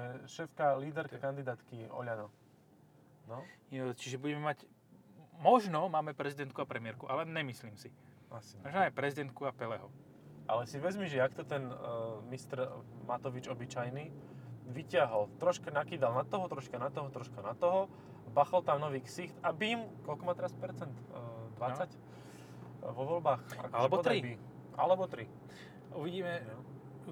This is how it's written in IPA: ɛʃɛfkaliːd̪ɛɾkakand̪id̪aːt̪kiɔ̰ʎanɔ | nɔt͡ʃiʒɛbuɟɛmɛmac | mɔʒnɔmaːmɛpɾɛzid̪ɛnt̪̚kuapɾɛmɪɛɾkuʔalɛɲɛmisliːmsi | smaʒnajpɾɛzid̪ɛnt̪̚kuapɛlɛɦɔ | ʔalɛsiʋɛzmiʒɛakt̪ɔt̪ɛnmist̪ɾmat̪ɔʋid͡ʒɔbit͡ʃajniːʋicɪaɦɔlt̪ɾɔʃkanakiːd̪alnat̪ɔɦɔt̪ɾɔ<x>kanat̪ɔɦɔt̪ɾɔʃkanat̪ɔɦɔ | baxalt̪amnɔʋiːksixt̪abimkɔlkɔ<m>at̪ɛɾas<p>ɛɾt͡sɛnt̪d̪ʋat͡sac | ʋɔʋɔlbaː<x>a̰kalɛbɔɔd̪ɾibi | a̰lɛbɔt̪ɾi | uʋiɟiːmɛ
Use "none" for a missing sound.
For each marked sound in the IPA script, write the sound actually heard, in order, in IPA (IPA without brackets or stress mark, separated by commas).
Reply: ʃ, m, p, x